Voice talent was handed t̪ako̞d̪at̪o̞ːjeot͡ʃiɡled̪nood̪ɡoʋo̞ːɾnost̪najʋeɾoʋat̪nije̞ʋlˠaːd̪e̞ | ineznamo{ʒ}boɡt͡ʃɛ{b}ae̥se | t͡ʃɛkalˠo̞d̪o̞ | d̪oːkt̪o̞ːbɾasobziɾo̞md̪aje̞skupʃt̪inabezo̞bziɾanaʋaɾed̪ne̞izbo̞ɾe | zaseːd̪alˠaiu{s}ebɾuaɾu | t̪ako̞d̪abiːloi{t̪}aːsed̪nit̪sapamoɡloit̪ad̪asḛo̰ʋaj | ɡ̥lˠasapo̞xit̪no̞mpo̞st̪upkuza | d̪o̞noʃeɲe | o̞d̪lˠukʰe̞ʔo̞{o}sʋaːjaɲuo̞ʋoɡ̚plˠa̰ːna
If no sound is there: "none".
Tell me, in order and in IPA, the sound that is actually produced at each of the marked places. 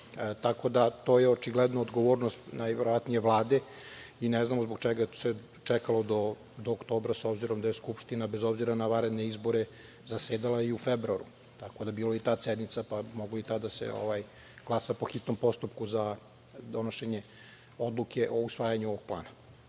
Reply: z, ɡ, f, t̪, u

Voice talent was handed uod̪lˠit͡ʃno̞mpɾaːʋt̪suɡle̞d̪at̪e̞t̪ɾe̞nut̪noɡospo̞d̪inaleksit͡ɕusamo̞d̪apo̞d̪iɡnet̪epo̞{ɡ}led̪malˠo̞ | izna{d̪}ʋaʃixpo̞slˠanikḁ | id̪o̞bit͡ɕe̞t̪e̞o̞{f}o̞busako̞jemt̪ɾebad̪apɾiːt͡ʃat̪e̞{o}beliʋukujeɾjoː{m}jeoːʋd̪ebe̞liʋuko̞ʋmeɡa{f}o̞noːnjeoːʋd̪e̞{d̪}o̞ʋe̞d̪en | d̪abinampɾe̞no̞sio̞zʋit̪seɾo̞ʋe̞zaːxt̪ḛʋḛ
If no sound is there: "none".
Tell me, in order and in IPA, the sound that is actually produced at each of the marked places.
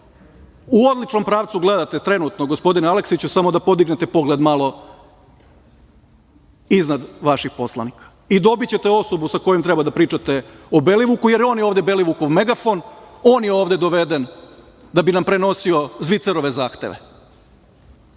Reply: ɡ, d̪, s, o, n, f, d̪

